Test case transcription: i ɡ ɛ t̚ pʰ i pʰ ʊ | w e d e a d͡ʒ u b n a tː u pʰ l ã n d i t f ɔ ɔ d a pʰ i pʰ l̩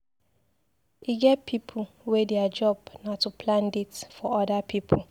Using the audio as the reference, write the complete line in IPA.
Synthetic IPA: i ɡ ɛ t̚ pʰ i pʰ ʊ | w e d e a d͡ʒ ɔ b n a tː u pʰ l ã n d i t f ɔ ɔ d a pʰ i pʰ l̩